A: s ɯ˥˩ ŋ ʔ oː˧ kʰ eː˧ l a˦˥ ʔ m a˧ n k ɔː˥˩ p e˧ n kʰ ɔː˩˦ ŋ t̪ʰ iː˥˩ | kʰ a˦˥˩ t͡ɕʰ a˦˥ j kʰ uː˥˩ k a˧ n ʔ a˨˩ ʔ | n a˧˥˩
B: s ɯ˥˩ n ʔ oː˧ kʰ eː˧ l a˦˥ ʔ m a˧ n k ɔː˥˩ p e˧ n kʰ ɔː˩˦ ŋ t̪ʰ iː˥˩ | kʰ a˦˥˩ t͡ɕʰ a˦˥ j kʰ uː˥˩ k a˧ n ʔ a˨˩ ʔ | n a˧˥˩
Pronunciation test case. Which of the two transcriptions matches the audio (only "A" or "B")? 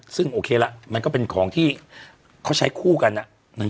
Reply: A